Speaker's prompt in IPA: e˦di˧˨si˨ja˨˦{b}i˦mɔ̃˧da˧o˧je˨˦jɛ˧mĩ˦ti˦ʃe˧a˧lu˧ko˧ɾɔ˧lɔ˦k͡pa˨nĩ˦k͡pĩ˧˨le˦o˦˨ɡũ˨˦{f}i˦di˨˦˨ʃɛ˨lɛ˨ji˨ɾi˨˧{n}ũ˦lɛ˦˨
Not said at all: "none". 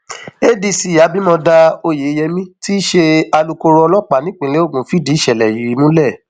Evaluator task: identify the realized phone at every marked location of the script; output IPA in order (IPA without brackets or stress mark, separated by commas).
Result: b, f, m